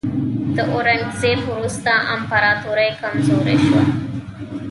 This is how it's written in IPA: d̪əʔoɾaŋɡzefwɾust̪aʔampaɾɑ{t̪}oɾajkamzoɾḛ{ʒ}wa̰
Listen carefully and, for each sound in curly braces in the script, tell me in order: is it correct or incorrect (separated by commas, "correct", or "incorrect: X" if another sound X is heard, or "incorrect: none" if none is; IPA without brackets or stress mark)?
correct, incorrect: ʃ